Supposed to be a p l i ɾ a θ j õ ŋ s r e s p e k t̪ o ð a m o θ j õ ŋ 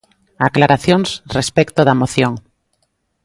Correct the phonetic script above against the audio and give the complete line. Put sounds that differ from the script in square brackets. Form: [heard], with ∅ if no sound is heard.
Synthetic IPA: a [k] l [a] ɾ a θ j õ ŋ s r e s p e k t̪ o ð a m o θ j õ ŋ